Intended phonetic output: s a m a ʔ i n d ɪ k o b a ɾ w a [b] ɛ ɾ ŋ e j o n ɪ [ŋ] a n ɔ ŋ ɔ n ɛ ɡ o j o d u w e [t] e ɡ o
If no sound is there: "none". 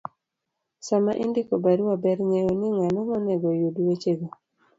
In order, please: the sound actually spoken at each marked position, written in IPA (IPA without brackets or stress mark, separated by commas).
b, ŋ, t͡ʃ